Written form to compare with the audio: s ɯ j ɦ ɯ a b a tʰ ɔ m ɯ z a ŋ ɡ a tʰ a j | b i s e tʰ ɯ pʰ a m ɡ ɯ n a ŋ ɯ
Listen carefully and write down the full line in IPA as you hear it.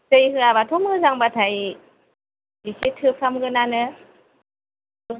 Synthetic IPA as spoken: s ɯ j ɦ ɯ a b a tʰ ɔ m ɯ z a ŋ b a tʰ a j | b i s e tʰ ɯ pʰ a m ɡ ɯ n a n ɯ